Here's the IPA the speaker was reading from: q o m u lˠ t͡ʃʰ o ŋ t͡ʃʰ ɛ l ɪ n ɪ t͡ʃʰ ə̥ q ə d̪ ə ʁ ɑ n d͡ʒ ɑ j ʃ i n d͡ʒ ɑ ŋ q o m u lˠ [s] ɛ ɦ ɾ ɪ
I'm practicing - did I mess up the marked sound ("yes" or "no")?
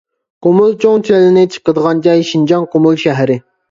yes